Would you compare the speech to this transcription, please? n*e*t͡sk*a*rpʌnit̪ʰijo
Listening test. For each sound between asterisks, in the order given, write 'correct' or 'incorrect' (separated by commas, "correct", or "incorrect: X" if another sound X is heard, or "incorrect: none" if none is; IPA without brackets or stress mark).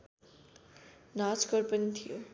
incorrect: a, incorrect: ʌ